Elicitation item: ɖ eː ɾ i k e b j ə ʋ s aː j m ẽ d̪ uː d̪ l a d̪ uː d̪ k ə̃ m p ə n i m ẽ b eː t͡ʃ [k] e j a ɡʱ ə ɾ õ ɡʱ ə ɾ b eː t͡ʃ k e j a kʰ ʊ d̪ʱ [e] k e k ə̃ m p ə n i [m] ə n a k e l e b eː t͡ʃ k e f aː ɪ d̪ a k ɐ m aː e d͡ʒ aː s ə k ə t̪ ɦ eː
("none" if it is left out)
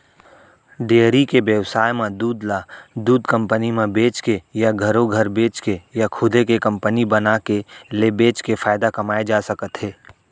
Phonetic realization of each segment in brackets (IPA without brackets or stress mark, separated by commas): k, e, b